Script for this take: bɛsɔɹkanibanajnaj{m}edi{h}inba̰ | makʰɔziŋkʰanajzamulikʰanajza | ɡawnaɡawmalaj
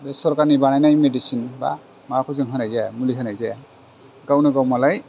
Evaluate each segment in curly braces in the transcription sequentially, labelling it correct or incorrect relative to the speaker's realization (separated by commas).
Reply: correct, incorrect